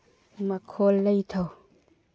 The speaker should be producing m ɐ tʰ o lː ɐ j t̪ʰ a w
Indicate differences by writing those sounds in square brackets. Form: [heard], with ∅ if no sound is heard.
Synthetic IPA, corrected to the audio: m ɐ [kʰ] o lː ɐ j t̪ʰ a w